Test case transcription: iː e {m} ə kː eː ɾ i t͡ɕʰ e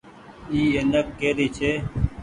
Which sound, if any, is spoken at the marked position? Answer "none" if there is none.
n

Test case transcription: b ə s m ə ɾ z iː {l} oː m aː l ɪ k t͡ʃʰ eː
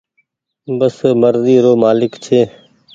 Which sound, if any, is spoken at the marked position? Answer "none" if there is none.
ɾ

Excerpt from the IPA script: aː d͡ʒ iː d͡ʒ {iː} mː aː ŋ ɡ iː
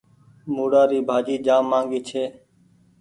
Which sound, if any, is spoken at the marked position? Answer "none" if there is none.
aː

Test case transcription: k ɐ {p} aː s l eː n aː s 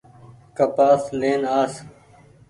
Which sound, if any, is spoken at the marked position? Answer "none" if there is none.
p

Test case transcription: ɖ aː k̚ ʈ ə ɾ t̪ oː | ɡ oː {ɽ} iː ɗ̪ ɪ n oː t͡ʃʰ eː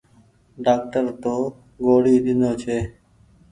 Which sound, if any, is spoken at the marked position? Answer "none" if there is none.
ɽ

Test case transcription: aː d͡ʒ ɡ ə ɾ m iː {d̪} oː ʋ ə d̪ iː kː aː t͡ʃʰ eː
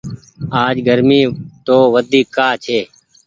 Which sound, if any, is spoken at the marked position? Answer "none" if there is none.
t̪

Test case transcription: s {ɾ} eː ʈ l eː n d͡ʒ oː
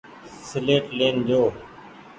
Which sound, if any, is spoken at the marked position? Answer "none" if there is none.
l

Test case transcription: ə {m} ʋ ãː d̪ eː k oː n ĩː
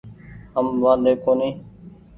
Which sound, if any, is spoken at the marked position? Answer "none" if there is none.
m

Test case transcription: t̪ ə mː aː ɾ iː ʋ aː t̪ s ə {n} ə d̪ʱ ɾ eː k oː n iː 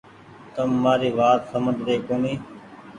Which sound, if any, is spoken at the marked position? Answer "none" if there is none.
m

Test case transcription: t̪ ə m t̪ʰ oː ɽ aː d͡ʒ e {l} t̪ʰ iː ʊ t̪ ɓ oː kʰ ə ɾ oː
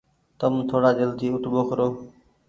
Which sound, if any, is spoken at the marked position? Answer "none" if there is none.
l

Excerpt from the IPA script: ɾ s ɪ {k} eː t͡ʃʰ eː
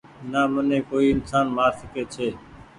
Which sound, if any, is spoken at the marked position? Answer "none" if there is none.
k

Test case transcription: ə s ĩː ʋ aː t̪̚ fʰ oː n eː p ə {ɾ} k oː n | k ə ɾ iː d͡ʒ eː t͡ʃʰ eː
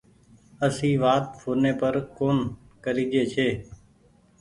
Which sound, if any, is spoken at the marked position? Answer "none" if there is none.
ɾ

